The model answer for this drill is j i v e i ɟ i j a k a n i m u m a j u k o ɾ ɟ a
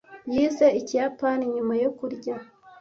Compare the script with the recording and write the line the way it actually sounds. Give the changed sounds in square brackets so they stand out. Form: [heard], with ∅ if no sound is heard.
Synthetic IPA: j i [z] e i [c] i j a [p] a n i [ɲ] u m a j [o] k [u] ɾ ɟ a

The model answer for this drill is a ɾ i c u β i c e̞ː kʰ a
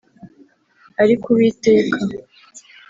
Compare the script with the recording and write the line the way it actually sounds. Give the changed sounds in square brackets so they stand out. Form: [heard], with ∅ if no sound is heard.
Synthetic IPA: a ɾ i [k] u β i [t] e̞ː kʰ a

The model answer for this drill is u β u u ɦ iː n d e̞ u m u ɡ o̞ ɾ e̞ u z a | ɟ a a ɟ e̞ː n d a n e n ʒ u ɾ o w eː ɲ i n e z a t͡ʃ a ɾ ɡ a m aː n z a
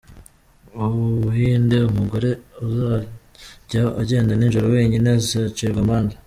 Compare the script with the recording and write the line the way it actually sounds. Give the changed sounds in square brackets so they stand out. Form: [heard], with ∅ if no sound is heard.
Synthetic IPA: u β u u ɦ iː n d e̞ u m u ɡ o̞ ɾ e̞ u z a | ɟ a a ɟ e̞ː n d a n [i] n ʒ u ɾ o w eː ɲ i n e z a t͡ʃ [i] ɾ ɡ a m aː n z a

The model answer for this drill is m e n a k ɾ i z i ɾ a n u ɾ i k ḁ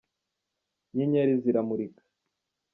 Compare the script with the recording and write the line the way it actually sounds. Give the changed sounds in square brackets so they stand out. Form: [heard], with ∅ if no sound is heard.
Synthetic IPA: [ɲ] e [ɲ] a [∅] ɾ i z i ɾ a [m] u ɾ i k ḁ

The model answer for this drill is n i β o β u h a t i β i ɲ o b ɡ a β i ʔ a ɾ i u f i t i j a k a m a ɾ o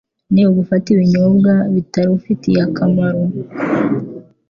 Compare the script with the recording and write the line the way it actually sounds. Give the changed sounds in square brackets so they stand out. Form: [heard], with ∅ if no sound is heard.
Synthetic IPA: n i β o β u [f] a t i β i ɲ o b ɡ a β i [t] a ɾ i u f i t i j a k a m a ɾ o

